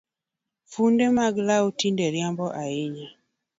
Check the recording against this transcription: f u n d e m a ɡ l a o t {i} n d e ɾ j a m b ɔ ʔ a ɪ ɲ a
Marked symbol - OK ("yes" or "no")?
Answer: yes